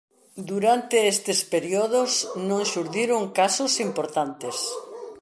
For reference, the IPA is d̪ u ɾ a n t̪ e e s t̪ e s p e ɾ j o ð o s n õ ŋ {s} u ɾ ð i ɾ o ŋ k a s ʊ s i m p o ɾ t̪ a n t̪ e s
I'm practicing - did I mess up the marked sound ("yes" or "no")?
yes